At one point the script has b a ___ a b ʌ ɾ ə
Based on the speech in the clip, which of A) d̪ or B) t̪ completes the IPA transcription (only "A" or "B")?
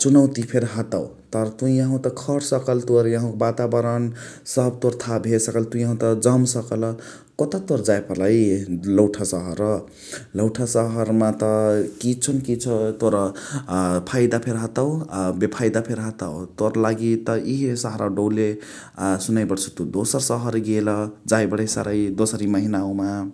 B